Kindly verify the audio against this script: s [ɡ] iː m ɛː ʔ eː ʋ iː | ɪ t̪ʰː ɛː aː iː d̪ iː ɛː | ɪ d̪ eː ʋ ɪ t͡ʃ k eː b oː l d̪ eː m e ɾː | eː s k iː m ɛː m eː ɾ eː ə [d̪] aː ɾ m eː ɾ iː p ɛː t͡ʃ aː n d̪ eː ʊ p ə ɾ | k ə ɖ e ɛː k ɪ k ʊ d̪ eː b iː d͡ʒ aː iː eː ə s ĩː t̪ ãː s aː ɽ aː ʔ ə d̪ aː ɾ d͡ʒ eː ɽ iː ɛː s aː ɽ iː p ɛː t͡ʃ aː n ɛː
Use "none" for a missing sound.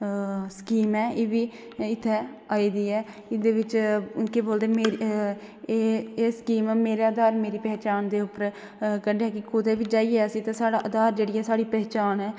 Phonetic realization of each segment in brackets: k, d̪

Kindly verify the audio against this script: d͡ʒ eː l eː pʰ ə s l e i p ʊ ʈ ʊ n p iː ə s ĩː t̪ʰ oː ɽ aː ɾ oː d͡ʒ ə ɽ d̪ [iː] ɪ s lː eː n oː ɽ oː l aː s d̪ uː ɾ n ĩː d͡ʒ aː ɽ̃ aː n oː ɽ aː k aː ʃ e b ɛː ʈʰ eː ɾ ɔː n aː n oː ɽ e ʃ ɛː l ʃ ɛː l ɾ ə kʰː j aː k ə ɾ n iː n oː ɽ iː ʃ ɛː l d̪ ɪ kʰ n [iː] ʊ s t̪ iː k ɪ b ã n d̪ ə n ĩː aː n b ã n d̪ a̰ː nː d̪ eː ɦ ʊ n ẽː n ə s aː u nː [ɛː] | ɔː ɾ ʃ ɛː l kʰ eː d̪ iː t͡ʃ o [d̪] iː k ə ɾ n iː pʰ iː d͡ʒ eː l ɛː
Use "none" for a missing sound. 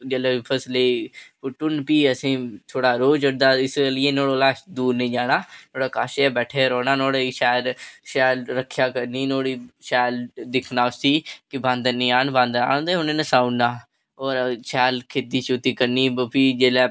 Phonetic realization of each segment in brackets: aː, aː, aː, t̪

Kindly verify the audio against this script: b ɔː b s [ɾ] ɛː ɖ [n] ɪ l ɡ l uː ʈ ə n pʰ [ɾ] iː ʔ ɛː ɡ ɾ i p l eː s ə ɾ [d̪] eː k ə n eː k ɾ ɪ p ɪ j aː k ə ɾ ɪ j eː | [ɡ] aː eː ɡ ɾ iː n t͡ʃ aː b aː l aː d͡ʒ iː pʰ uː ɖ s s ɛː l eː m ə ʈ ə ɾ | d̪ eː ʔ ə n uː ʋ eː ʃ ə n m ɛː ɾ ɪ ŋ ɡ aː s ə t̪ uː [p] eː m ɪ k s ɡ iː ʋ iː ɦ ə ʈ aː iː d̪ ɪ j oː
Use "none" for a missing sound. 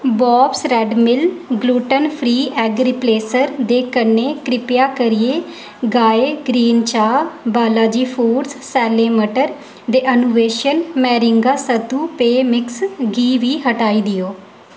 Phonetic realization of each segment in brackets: ɾ, m, ɾ, d̪, ɡ, p

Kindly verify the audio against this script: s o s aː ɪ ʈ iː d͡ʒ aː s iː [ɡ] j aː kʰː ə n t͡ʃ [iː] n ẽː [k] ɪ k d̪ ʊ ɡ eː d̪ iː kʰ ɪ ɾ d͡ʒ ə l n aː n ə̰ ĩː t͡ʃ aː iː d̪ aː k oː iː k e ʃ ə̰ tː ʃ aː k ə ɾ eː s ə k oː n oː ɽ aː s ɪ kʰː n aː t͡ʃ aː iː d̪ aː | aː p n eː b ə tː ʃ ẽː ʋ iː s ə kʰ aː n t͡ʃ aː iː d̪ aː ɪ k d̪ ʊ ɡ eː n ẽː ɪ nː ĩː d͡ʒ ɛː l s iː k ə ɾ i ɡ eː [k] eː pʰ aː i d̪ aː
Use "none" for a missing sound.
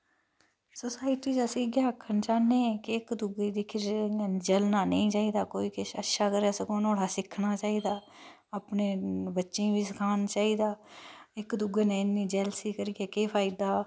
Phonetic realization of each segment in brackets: ɡ, aː, k, k

